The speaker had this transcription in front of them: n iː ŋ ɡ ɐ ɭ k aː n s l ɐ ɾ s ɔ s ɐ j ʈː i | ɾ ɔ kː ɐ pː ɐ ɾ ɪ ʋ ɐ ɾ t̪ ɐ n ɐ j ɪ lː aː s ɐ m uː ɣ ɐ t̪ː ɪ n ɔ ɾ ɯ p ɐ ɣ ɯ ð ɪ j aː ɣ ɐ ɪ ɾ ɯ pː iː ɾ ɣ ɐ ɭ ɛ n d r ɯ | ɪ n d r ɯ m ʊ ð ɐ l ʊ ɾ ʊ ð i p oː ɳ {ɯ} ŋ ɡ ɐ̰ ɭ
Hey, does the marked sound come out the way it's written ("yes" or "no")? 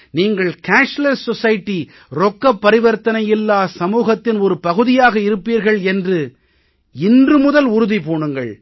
yes